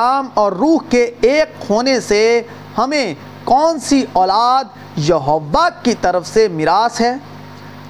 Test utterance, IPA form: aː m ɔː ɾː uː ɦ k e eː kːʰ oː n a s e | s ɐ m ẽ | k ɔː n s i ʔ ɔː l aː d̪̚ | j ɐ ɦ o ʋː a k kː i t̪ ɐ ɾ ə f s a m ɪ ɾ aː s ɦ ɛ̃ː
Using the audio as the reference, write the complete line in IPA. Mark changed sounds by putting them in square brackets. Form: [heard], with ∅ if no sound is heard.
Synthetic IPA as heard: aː m ɔː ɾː uː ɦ k e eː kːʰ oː n [e] s e | [h] ɐ m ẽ | k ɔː n s i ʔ ɔː l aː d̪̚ | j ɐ ɦ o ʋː a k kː i t̪ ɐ ɾ ə f s [e] m ɪ ɾ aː s ɦ [ɛː]